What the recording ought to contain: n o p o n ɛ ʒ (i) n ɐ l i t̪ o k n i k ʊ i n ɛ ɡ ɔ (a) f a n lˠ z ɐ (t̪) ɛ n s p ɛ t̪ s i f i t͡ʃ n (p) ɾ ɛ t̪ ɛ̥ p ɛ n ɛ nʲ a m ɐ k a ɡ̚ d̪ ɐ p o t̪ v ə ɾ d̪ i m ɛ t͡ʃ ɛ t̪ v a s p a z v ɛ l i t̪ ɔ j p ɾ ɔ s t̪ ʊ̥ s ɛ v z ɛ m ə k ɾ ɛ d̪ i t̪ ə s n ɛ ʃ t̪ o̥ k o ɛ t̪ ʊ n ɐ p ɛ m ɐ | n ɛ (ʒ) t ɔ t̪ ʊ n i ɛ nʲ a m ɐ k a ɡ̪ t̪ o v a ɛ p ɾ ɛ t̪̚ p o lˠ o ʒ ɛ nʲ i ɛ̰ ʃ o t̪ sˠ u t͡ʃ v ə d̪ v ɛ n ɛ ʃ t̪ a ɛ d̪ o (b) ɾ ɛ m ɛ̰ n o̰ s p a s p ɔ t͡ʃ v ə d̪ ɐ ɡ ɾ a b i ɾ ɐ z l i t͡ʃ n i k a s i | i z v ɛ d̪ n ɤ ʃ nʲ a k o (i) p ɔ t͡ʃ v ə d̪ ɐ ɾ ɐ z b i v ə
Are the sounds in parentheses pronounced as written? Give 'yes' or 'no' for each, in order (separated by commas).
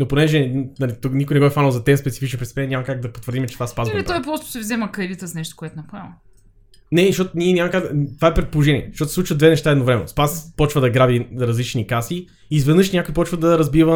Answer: no, no, yes, yes, no, no, yes